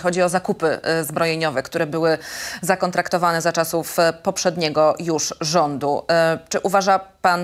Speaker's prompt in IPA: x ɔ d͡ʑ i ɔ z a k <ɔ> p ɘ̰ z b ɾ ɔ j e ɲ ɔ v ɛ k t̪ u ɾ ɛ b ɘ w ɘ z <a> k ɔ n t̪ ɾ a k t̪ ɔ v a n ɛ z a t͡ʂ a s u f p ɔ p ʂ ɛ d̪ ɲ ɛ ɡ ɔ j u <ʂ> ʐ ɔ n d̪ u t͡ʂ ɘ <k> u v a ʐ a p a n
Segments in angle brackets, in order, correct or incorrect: incorrect, correct, correct, incorrect

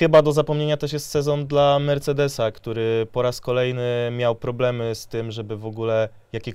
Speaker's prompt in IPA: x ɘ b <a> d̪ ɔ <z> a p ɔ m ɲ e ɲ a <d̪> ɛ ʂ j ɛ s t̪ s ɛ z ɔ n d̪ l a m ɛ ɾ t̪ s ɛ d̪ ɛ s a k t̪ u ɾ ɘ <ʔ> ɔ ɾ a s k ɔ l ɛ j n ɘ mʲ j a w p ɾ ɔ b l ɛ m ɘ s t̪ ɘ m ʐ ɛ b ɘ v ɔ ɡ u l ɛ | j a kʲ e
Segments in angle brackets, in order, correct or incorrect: correct, correct, incorrect, incorrect

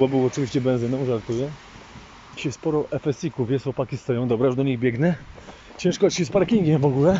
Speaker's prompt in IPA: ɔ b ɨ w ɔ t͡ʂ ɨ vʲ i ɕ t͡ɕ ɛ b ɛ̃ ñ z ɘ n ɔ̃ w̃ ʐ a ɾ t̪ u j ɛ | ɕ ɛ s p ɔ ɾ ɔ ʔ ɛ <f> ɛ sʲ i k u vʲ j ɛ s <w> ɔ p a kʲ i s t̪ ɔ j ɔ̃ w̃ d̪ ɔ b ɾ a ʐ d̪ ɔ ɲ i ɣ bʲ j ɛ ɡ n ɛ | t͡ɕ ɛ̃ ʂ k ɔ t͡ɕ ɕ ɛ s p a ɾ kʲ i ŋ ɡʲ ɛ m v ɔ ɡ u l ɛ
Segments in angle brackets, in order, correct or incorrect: correct, correct

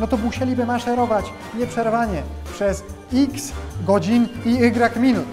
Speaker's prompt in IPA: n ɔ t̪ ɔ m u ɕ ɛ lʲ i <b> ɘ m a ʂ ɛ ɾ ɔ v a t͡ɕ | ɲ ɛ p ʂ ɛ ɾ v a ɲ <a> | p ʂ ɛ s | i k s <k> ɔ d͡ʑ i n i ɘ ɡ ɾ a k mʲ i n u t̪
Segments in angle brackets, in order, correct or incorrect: correct, incorrect, incorrect

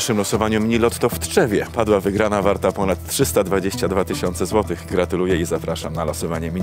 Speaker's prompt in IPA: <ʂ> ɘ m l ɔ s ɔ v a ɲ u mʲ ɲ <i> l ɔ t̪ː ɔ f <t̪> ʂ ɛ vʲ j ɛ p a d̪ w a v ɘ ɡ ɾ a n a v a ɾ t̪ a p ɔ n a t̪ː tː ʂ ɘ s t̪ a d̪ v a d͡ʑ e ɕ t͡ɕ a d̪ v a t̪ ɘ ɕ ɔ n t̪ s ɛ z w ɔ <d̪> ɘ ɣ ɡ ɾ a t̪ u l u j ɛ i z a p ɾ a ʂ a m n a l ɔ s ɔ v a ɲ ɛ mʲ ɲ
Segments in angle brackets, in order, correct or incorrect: correct, correct, correct, incorrect

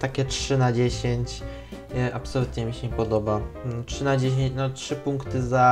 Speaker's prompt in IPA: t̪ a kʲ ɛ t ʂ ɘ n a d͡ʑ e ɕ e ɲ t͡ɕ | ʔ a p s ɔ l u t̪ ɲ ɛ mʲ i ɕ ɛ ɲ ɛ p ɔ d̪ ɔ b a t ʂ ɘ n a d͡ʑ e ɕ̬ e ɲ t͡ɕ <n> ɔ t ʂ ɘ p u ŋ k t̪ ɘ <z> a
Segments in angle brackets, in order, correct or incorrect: correct, correct

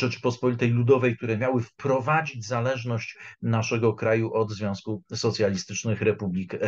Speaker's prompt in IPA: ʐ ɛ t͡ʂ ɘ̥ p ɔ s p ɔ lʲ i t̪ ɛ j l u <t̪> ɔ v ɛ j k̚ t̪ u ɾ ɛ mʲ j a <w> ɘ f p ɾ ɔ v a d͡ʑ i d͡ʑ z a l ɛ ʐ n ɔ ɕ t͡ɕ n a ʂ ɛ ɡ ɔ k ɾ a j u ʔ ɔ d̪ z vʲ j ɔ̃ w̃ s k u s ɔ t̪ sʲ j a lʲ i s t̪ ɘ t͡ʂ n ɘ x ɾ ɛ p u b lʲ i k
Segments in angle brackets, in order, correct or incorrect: incorrect, correct

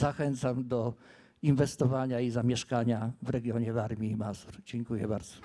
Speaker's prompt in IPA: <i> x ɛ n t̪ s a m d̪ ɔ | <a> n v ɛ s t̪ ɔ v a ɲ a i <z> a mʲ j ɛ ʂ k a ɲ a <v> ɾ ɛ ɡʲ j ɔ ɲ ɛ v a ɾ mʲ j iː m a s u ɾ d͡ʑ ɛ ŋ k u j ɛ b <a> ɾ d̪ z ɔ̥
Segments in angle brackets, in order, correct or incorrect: incorrect, incorrect, correct, correct, correct

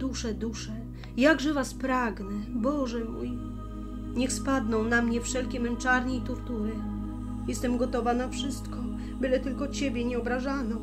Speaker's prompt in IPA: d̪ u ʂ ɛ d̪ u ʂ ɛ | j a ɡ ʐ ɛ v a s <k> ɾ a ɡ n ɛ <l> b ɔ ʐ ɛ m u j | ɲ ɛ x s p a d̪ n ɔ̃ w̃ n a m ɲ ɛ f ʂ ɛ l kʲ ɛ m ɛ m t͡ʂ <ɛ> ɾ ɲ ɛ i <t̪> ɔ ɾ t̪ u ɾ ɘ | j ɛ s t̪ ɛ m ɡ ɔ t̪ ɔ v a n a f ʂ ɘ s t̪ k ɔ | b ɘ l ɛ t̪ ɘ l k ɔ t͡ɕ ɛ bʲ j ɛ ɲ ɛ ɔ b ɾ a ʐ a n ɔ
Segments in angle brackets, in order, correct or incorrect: incorrect, incorrect, incorrect, correct

